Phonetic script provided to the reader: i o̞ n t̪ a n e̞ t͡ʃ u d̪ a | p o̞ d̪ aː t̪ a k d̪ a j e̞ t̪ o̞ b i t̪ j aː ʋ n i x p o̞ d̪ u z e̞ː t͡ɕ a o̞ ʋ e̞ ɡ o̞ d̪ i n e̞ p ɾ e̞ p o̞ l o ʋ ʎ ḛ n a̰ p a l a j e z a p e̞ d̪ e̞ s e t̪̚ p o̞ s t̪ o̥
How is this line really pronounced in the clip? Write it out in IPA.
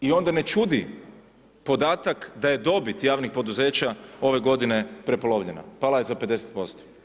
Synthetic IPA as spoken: i o̞ n d̪ a n e̞ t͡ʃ u d̪ i | p o̞ d̪ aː t̪ a k d̪ a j e̞ d̪ o̞ b i t̪ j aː ʋ n i x p o̞ d̪ u z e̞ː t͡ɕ a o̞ ʋ e̞ ɡ o̞ d̪ i n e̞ p ɾ e̞ p o̞ l o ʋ ʎ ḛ n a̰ p a l a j e z a p e̞ d̪ e̞ s e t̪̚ p o̞ s t̪ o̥